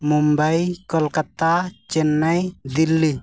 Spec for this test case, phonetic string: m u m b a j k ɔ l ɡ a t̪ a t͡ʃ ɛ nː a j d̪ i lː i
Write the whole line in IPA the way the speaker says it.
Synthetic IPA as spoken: m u m b a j k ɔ l k a t̪ a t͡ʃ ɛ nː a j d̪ i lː i

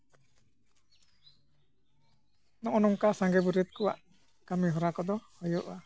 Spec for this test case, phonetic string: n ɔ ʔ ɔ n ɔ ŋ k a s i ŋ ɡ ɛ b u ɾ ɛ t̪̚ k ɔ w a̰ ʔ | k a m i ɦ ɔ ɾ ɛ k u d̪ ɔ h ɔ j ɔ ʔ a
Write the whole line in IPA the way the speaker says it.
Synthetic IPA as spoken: n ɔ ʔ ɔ n ɔ ŋ k a s a ŋ ɡ ɛ b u ɾ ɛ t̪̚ k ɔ w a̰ ʔ | k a m i ɦ ɔ ɾ a k ɔ d̪ ɔ h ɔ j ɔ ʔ a

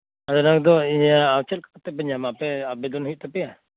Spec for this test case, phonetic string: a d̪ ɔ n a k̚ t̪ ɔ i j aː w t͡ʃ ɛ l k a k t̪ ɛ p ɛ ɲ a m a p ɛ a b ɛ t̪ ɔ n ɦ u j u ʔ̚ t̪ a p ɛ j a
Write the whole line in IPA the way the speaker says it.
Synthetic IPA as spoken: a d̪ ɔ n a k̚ d̪ ɔ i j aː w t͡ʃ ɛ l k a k t̪ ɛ p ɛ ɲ a m a p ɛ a b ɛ d̪ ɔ n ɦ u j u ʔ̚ t̪ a p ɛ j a

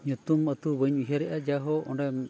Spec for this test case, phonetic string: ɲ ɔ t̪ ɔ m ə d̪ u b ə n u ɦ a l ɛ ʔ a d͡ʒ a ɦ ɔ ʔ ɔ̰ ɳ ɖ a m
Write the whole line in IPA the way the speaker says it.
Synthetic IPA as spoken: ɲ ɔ t̪ u m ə t̪ u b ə ɲ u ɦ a ɾ ɛ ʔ a d͡ʒ a ɦ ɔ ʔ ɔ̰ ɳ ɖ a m

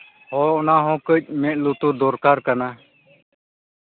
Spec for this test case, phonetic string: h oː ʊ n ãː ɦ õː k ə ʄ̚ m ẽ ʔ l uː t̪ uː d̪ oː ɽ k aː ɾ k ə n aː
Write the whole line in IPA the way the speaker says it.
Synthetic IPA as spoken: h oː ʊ n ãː ɦ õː k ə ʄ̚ m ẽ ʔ l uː t̪ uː d̪ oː ɾ k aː ɾ k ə n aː

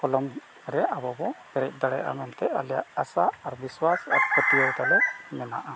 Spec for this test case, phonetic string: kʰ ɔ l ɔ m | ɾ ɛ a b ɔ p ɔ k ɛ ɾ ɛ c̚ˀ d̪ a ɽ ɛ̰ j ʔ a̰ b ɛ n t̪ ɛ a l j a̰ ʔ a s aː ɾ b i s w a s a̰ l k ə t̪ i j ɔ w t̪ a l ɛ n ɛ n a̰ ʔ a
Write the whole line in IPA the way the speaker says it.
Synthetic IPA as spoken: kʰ ɔ l ɔ m | ɾ ɛ a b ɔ b ɔ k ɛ ɾ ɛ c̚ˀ d̪ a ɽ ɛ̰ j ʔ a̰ m ɛ n t̪ ɛ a l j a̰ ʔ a s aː ɾ b i s w a s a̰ ɾ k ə t̪ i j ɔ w t̪ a l ɛ m ɛ n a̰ ʔ a

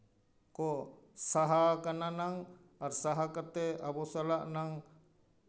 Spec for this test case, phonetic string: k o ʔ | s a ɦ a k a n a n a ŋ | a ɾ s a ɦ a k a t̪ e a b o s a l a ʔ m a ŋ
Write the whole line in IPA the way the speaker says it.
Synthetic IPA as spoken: k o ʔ | s a ɦ a k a n a n a ŋ | a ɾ s a ɦ a k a t̪ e a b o s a l a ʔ n a ŋ

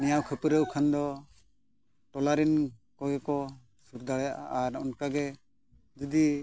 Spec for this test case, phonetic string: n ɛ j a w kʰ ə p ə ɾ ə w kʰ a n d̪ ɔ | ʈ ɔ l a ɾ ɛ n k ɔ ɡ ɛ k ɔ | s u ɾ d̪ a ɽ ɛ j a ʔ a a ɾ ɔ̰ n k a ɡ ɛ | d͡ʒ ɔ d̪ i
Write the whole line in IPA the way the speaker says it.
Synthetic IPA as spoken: n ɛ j a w kʰ ə p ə ɾ ə w kʰ a n d̪ ɔ | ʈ ɔ l a ɾ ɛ n k ɔ ɡ ɛ k ɔ | s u ɾ d̪ a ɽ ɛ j a ʔ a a ɾ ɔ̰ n k a ɡ ɛ | d͡ʒ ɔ d̪ i

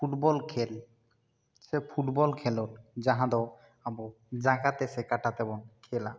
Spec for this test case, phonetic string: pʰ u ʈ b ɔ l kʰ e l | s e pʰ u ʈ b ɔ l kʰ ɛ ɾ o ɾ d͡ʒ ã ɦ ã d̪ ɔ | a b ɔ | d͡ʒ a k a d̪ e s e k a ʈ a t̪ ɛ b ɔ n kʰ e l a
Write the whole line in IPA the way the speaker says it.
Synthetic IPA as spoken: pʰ u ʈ b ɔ l kʰ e l | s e pʰ u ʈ b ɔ l kʰ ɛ l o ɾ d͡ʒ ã ɦ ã d̪ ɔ | a b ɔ | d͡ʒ a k a t̪ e s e k a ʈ a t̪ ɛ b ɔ n kʰ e l a

